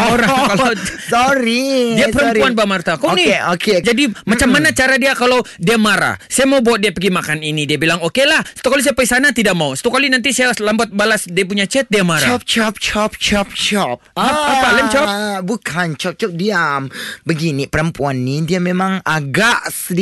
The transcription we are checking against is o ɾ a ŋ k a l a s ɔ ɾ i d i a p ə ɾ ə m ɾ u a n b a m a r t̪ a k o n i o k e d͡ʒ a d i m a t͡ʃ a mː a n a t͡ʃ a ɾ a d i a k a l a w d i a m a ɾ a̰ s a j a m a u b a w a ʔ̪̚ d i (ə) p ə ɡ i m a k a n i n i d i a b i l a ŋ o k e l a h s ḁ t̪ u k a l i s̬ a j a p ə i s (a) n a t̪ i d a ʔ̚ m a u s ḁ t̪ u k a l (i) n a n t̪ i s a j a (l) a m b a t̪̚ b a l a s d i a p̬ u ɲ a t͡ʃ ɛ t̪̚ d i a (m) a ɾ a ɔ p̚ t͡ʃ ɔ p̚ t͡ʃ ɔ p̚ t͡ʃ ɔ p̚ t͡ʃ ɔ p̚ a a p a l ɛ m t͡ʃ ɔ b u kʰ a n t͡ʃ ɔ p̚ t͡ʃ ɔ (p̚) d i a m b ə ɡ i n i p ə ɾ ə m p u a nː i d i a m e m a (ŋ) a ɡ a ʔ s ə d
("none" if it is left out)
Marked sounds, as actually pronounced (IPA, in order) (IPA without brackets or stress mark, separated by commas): a, a, i, l, m, p̚, ŋ